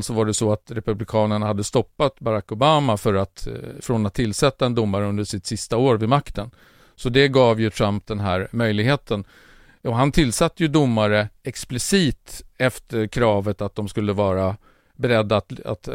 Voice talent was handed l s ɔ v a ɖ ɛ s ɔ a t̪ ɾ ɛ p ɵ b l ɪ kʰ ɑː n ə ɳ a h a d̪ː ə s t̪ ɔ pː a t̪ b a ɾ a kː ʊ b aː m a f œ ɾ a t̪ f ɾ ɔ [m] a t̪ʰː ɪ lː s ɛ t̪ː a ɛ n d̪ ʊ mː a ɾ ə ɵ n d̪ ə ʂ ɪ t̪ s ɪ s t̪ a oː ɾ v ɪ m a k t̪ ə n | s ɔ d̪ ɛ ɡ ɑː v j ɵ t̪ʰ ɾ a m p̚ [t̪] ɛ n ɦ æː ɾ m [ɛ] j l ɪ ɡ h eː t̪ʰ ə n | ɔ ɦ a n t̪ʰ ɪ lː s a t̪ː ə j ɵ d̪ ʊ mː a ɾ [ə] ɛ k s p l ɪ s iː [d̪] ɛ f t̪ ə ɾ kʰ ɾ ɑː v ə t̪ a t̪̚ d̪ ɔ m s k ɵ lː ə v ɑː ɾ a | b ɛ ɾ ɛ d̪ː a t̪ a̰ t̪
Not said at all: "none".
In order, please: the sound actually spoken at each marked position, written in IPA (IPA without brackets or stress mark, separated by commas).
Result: n, d̪, œ, ə, t̪